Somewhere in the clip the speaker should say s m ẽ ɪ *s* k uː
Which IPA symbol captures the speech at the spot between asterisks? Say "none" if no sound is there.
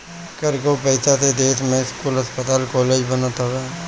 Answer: s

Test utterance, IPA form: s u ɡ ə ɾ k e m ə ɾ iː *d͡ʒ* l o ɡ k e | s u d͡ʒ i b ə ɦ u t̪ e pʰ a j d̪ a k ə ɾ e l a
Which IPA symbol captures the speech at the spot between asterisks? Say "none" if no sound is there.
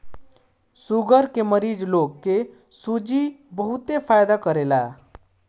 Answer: d͡ʒ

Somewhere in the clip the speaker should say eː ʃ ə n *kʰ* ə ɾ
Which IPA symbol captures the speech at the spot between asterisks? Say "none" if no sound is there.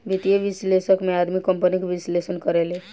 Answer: k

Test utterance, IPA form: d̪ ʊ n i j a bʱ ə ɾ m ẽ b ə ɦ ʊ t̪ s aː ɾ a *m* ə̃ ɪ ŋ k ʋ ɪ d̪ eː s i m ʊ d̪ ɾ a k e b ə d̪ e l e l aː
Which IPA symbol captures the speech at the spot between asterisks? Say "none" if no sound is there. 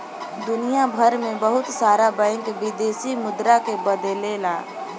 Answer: b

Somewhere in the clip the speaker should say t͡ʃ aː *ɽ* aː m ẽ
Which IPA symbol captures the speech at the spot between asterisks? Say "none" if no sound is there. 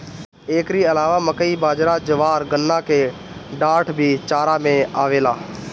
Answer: ɾ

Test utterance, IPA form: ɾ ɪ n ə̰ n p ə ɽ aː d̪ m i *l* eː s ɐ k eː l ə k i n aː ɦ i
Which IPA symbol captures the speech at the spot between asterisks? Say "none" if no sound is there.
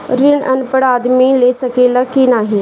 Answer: l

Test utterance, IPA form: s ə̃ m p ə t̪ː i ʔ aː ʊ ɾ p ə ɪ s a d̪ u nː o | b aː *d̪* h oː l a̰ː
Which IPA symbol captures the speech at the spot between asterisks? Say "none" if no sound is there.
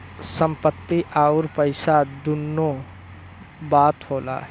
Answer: t̪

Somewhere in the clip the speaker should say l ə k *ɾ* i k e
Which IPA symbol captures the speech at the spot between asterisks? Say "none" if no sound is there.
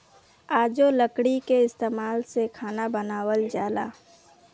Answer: ɽ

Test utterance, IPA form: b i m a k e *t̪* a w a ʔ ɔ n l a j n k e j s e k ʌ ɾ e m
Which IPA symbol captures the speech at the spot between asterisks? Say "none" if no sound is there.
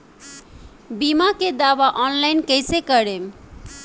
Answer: d̪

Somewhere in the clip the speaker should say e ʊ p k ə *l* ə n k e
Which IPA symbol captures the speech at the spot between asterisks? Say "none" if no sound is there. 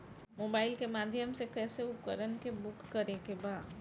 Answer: ɾ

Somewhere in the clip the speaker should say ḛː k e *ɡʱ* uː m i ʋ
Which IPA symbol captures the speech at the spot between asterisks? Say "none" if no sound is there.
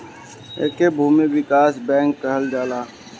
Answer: bʱ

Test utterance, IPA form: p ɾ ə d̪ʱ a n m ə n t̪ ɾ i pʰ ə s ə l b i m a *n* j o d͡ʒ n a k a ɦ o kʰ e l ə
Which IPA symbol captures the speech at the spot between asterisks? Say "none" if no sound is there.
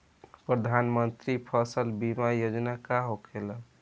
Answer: none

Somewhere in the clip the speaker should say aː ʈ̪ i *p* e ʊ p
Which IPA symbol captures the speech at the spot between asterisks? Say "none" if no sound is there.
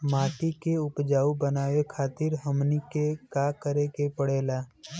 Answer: k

